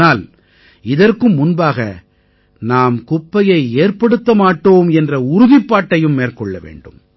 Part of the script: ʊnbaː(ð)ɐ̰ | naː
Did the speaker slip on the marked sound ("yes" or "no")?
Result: yes